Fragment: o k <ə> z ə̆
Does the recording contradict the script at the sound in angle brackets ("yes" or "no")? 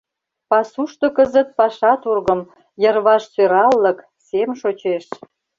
no